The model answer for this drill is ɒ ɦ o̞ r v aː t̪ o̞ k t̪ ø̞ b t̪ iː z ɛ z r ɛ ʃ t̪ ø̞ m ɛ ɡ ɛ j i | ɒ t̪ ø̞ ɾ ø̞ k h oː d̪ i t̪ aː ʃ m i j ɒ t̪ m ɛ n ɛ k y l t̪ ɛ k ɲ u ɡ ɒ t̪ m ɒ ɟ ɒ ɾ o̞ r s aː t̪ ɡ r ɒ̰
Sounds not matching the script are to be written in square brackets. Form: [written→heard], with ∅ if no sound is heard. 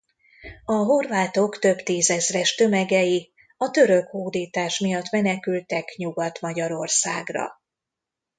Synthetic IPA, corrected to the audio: ɒ ɦ o̞ r v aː t̪ o̞ k t̪ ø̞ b t̪ iː z ɛ z r ɛ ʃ t̪ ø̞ m ɛ ɡ ɛ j i | ɒ t̪ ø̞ ɾ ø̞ k h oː d̪ [i→iː] t̪ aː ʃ m i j ɒ t̪ m ɛ n ɛ k y l t̪ ɛ k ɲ u ɡ ɒ t̪ m ɒ ɟ ɒ ɾ o̞ r s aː [t̪→∅] ɡ r ɒ̰